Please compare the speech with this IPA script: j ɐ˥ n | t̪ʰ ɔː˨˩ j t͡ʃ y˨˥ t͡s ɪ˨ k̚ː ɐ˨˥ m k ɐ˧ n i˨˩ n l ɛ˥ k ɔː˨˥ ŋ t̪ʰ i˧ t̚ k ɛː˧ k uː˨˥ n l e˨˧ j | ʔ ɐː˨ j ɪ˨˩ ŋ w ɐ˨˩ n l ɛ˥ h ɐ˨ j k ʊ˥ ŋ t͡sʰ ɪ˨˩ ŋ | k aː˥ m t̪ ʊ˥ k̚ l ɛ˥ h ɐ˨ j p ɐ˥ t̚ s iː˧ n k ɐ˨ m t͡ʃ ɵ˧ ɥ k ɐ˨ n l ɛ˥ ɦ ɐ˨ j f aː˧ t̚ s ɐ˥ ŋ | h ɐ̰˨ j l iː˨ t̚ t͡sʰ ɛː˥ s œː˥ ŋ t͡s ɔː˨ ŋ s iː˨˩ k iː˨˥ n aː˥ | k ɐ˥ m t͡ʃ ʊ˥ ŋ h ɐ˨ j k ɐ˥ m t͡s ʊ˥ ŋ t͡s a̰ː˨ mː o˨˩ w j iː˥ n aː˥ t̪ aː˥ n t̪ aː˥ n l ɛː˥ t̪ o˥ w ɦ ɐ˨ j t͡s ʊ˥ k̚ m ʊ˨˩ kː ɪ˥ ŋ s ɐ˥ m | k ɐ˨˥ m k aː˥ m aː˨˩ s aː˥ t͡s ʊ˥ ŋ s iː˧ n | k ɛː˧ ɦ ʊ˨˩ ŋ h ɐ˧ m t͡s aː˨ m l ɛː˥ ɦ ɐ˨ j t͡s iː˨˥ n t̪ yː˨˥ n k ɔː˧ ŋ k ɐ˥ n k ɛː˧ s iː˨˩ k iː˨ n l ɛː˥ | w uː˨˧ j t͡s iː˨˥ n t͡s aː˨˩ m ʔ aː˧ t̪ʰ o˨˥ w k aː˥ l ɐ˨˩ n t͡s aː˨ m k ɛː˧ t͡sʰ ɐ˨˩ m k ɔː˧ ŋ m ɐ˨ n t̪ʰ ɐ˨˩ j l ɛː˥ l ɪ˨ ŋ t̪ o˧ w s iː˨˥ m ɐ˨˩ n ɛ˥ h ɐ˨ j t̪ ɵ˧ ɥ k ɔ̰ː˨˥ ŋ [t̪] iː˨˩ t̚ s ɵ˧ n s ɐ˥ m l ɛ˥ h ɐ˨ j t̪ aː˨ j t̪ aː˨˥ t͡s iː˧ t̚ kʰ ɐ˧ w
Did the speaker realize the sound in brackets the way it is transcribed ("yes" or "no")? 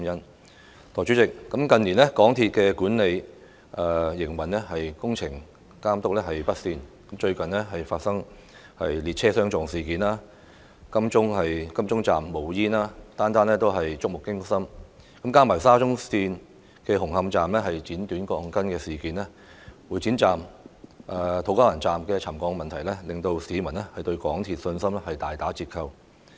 no